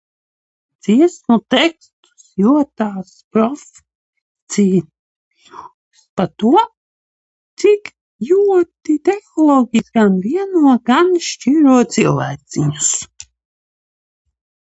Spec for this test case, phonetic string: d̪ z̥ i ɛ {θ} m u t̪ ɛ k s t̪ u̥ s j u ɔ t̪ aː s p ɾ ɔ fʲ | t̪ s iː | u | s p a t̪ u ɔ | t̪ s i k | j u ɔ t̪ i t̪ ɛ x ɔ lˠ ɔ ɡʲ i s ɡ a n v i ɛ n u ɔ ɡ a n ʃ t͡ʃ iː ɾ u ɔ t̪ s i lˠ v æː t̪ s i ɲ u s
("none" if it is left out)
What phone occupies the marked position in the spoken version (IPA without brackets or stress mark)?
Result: s